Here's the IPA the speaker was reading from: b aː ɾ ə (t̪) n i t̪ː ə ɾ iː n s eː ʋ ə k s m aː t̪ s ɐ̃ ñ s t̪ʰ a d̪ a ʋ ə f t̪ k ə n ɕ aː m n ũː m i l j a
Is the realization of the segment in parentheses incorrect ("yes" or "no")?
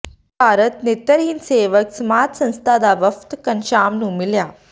no